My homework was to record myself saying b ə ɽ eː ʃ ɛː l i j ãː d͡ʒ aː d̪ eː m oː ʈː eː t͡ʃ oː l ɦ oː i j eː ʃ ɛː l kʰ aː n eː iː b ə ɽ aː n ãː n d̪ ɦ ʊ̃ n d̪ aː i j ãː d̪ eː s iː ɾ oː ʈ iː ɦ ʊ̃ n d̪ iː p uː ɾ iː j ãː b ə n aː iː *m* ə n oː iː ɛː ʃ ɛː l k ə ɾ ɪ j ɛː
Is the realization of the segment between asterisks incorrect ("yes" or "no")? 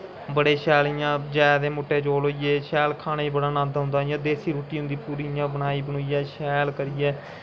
yes